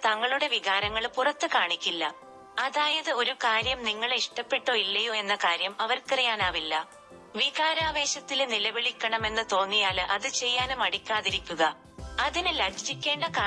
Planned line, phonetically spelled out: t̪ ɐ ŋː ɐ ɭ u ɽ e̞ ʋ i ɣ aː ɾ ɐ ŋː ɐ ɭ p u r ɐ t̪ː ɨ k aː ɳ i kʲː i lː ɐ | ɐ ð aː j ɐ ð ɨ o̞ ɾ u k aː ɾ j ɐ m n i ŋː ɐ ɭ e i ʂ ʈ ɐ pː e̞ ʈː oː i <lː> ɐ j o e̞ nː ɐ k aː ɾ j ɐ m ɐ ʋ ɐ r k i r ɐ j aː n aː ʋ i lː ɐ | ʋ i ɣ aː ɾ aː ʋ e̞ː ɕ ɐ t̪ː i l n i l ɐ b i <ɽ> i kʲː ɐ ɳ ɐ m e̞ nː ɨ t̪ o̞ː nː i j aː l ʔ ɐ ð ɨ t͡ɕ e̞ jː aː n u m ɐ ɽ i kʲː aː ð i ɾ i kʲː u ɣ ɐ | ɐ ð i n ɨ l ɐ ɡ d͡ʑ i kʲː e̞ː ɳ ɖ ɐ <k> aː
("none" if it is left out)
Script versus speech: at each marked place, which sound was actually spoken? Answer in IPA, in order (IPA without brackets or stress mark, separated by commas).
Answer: lː, ɭ, k